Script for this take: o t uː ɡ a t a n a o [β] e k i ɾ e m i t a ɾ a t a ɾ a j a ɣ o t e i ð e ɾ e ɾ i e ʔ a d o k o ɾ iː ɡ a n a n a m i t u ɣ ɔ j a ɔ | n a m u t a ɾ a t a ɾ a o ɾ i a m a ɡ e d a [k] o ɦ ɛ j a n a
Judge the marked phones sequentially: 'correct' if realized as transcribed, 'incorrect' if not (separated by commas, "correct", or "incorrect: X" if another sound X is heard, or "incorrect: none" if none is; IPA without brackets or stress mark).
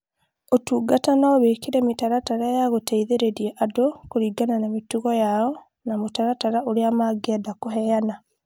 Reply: correct, correct